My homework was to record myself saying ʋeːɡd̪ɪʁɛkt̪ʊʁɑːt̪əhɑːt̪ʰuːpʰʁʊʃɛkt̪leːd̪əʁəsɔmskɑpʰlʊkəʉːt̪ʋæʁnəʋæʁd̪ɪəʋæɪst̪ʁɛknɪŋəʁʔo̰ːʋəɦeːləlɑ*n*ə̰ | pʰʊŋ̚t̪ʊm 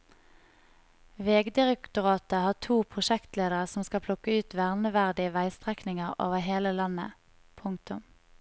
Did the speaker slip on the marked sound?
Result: no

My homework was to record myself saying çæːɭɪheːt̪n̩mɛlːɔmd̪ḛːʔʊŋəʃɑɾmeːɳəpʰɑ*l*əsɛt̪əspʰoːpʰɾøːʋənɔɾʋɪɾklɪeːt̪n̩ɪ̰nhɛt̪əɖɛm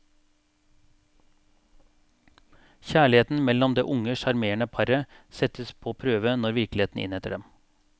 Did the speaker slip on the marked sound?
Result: yes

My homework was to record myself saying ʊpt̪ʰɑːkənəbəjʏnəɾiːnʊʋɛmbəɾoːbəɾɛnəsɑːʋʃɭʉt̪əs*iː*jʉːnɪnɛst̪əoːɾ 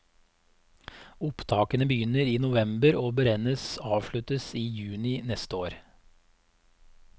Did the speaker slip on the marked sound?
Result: no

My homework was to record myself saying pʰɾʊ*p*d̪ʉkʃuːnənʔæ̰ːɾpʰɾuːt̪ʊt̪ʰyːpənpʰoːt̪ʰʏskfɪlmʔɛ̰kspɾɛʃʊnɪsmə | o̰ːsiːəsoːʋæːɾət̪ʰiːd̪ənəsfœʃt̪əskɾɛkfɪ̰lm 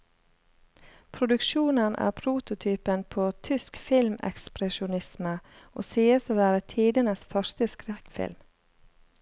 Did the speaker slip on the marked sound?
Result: yes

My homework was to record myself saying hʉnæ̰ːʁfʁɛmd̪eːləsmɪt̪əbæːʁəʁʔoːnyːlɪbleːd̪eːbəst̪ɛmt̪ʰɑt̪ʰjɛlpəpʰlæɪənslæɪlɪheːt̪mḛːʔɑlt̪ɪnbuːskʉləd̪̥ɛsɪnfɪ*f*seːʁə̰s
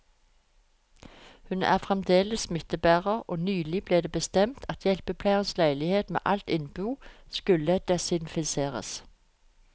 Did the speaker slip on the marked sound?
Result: yes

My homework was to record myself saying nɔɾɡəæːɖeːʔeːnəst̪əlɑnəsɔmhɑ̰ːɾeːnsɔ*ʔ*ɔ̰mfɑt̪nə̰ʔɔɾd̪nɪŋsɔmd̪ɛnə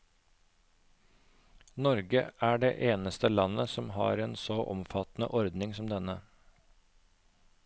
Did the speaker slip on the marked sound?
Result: no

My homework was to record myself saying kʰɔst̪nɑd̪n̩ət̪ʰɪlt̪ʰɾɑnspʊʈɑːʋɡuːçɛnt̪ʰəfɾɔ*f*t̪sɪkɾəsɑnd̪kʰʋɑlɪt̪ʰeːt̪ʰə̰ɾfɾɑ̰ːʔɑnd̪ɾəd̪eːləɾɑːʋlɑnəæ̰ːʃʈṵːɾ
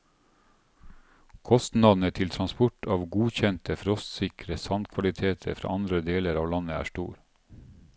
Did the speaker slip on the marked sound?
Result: yes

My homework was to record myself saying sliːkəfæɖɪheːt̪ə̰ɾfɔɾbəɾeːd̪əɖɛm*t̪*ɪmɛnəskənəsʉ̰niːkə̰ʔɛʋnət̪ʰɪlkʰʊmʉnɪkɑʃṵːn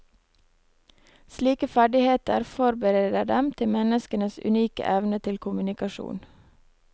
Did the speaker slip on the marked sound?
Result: yes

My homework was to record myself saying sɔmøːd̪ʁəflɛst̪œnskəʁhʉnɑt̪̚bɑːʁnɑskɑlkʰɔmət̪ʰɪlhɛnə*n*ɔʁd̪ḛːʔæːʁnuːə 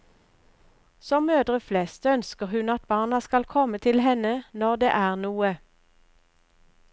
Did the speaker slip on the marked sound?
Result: no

